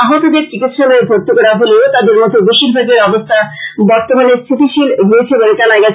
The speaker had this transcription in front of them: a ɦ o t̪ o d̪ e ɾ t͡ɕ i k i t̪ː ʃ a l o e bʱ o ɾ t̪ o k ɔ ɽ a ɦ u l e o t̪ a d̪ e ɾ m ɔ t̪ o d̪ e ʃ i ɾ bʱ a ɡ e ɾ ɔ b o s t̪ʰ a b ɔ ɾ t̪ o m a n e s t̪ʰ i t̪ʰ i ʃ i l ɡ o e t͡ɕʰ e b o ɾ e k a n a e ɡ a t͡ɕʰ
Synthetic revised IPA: a ɦ o t̪ o d̪ e ɾ t͡ɕ i k i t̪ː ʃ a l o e bʱ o ɾ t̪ o k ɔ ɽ a ɦ o l e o t̪ a d̪ e ɾ m ɔ t̪ o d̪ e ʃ i ɾ bʱ a ɡ e ɾ ɔ b o s t̪ʰ a b ɔ ɾ t̪ o m a n e s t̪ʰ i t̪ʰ i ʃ i l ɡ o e t͡ɕʰ e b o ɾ e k a n a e ɡ a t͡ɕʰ